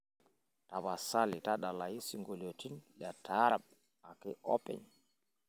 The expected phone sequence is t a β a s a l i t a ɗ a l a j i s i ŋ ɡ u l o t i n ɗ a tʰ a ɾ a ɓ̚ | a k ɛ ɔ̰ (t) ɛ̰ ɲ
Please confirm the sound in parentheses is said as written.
no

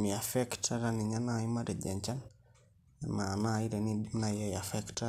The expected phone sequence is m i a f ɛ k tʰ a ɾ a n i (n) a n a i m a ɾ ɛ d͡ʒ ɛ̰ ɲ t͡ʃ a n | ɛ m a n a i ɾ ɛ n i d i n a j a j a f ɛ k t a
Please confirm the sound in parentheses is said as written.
no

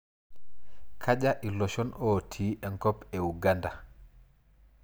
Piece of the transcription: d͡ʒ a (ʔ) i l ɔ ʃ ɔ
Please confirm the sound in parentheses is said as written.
yes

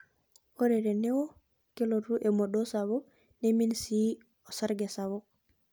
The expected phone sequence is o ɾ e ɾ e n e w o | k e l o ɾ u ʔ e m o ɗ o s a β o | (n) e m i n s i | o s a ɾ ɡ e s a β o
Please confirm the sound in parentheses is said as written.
yes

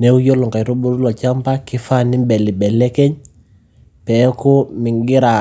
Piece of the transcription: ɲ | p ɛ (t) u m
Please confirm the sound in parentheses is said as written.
no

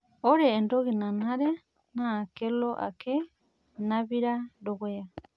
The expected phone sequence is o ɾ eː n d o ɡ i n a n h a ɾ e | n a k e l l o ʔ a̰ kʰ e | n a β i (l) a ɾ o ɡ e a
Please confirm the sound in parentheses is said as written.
no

